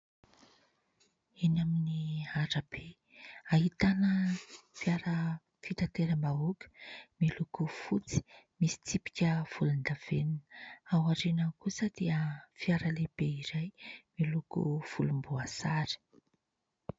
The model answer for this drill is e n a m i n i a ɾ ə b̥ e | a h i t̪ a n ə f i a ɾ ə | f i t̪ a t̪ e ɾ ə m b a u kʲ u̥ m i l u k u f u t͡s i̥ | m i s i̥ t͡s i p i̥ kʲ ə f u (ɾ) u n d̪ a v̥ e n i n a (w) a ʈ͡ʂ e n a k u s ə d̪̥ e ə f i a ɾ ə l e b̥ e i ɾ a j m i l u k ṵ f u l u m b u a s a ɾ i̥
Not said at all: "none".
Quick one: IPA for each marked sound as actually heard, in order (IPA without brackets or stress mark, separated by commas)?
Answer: l, w